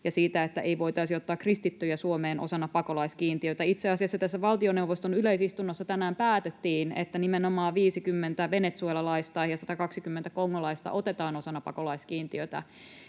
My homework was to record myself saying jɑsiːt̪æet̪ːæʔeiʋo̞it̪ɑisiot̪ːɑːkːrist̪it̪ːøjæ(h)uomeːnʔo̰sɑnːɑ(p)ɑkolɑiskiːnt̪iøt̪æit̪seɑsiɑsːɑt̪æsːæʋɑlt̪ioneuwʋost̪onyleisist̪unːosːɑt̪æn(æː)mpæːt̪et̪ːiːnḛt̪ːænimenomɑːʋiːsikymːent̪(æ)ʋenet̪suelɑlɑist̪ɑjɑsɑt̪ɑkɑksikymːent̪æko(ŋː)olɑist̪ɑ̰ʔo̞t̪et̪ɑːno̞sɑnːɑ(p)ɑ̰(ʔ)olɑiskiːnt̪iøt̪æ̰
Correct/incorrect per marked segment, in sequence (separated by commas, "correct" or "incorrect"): incorrect, correct, correct, correct, correct, correct, incorrect